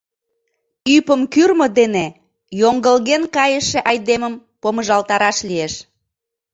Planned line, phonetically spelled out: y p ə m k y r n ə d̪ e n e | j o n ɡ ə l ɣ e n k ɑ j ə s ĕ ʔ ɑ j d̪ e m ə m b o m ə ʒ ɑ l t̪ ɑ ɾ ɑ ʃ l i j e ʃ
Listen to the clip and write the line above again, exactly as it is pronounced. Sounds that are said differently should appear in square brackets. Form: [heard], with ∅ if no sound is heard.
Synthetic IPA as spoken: y p ə m k y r [m] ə d̪ e n e | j o [ŋ] ɡ ə l ɣ e n k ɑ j ə [ʃ] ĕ ʔ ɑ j d̪ e m ə m [p] o m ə ʒ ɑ l t̪ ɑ ɾ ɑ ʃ l i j e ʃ